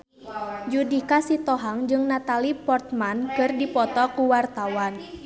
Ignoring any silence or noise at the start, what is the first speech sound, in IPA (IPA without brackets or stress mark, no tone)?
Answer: d͡ʒ